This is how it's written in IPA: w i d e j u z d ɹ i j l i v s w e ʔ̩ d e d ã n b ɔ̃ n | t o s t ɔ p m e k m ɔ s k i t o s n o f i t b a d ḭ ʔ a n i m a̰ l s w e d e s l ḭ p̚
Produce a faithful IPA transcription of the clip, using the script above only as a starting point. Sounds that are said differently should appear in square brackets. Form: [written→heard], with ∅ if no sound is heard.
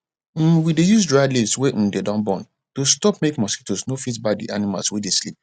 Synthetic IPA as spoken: w i d e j u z d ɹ [i→a] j l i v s w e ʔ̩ d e d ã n b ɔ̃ n | t o s t ɔ p m e k m ɔ s k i t o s n o f i t b a d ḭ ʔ a n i m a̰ l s w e d e s l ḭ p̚